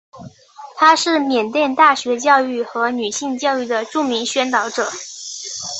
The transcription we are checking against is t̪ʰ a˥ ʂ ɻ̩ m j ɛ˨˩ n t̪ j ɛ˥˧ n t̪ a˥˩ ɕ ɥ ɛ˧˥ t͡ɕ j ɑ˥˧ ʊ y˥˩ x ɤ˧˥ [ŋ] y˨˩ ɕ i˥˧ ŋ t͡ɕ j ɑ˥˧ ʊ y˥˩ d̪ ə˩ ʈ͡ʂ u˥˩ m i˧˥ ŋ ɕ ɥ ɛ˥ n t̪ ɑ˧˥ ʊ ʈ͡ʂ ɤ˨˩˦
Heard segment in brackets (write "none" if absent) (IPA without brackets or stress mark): n